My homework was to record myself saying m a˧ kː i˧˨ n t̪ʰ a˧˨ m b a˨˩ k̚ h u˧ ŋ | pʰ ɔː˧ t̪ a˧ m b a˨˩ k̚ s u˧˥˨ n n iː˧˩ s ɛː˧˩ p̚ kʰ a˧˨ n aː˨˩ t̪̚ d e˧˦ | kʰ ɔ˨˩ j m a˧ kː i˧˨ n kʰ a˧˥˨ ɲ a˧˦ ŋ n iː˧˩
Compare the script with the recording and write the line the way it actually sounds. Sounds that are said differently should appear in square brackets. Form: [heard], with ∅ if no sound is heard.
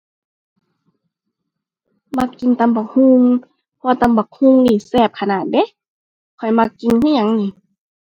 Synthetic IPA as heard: m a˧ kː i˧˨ n [t̪] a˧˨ m b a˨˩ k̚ h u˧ ŋ | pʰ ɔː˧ t̪ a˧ m b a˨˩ k̚ [h] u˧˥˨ [ŋ] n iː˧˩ s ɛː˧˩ p̚ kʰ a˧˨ n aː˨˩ t̪̚ d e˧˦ | kʰ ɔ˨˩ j m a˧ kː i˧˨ n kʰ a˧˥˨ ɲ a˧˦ ŋ n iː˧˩